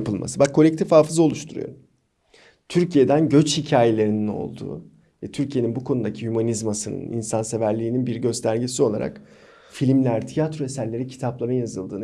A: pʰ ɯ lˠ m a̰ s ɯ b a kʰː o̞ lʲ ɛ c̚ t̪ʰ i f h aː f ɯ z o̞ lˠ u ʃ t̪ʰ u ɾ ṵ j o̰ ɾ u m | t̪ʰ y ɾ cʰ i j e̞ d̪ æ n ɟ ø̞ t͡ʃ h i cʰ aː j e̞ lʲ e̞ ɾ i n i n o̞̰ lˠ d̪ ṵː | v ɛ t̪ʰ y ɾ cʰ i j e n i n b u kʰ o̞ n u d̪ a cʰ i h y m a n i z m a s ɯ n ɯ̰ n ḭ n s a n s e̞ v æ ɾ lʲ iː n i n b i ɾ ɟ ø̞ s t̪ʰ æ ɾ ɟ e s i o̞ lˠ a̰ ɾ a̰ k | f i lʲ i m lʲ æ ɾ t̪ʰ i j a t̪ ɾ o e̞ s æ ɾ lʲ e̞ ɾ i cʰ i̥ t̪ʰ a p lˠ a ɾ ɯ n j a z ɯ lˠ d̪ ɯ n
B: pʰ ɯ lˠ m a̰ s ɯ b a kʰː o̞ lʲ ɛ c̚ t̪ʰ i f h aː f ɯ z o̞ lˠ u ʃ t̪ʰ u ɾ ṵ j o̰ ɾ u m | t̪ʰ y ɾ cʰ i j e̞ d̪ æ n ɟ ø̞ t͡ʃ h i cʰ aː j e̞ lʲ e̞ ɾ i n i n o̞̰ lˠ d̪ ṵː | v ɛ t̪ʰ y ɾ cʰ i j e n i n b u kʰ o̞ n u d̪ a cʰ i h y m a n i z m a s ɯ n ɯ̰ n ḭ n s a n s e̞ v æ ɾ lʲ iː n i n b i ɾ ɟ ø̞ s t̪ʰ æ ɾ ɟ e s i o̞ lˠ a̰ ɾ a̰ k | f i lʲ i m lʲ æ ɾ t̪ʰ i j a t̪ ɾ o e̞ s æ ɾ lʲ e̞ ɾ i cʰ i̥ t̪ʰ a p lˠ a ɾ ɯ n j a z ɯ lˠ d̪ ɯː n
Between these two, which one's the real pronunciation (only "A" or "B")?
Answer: B